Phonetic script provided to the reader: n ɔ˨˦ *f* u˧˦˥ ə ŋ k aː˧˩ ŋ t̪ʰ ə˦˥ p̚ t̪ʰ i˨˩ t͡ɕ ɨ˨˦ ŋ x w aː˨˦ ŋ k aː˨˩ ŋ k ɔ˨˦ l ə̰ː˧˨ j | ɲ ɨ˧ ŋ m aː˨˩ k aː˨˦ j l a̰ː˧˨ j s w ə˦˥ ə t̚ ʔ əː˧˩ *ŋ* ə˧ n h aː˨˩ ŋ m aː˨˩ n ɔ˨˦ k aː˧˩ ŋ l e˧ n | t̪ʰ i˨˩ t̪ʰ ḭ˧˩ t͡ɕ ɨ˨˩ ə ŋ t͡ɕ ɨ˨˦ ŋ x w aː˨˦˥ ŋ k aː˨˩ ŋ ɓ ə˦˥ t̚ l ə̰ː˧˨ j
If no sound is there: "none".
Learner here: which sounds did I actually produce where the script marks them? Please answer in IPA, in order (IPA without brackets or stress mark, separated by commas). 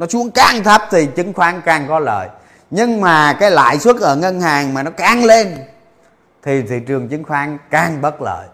s, ŋ